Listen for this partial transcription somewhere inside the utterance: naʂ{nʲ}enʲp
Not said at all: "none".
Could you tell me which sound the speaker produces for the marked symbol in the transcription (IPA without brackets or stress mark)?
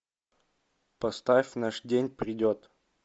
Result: dʲ